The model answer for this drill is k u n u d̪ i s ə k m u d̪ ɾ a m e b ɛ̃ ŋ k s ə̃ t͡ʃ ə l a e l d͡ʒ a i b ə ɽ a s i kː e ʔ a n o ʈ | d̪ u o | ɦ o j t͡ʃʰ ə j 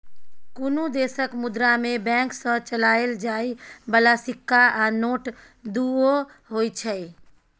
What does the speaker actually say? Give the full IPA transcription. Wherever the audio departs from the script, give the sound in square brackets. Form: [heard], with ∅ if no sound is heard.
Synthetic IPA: k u n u d̪ [e] s ə k m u d̪ ɾ a m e b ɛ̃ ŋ k s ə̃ t͡ʃ ə l a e l d͡ʒ a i b ə [l] a s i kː [a] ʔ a n o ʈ | d̪ u o | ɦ o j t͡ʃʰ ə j